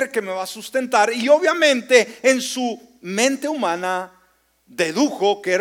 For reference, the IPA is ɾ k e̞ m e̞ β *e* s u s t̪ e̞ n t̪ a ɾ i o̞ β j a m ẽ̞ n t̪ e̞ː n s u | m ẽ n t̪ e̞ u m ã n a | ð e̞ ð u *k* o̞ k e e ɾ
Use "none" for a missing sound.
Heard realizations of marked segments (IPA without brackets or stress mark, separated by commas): a, x